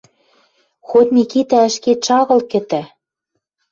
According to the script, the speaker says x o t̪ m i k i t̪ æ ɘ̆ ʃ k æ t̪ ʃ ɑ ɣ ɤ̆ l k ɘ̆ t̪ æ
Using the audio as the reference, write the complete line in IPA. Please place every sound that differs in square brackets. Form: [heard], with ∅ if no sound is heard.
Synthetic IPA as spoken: x o t̪ m i k i t̪ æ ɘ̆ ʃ k [e] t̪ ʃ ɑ ɣ ɤ̆ l k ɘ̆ t̪ æ